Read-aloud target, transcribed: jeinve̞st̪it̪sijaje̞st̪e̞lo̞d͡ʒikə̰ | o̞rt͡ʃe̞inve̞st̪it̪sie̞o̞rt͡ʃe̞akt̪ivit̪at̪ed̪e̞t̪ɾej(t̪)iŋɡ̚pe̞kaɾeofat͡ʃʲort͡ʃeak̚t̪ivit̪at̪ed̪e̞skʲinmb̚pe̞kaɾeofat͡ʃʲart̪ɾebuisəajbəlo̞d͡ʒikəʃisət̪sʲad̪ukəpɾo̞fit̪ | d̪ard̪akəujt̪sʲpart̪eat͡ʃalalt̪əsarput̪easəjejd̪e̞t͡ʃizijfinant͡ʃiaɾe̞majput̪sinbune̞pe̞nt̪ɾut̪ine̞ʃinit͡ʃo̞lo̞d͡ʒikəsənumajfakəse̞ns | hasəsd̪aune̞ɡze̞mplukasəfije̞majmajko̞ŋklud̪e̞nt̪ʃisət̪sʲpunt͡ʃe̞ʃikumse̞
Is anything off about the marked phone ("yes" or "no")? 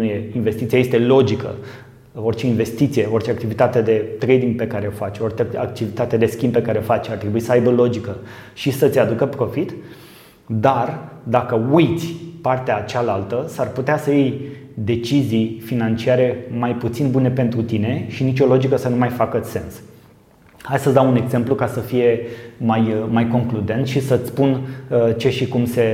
yes